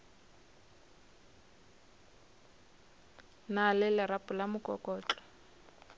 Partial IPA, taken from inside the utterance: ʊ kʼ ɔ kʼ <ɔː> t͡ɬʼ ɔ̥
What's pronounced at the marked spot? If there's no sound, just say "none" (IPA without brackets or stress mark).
ɔː